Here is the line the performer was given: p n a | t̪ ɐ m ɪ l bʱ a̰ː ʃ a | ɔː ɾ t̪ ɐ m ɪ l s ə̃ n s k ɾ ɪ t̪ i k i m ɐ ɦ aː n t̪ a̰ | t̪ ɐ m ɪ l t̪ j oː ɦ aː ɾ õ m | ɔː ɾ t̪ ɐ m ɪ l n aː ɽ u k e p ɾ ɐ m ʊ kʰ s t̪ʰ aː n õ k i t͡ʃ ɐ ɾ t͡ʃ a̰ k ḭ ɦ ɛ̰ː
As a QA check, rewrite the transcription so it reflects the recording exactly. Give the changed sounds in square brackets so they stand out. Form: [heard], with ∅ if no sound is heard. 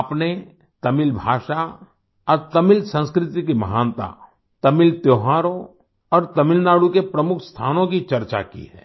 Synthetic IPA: p n [e] | t̪ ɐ m ɪ l bʱ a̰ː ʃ a | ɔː ɾ t̪ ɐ m ɪ l s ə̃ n s k ɾ ɪ t̪ i k i m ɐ ɦ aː n t̪ a̰ | t̪ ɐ m ɪ l t̪ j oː ɦ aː ɾ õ [∅] | ɔː ɾ t̪ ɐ m ɪ l n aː ɽ u k e p ɾ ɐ m ʊ kʰ s t̪ʰ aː n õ k i t͡ʃ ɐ ɾ t͡ʃ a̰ k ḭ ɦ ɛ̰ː